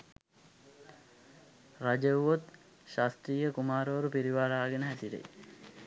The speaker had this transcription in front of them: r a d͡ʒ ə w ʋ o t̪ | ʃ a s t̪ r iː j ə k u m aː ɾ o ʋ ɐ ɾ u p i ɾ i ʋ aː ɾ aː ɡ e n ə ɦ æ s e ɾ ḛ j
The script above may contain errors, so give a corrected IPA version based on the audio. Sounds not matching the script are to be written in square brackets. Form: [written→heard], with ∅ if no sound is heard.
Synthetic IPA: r a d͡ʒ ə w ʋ o t̪ | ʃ a s t̪ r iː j ə k u m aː ɾ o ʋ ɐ ɾ u p i ɾ i ʋ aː ɾ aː ɡ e n ə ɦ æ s [e→i] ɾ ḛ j